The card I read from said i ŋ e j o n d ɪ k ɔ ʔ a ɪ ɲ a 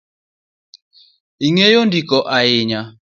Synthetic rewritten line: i ŋ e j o n d i k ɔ ʔ a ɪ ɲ a